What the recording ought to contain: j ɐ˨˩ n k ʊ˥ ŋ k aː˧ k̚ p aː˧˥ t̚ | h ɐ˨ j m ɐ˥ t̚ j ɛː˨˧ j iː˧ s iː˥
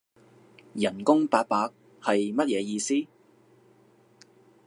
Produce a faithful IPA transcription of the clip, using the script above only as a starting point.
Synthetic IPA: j ɐ˨˩ n k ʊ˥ ŋ p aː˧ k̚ p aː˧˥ k̚ | h ɐ˨ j m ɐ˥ t̚ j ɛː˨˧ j iː˧ s iː˥